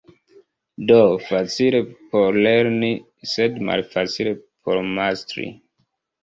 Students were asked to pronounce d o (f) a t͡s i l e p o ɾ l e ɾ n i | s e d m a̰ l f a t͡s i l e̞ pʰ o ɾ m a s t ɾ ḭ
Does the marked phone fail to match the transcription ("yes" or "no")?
no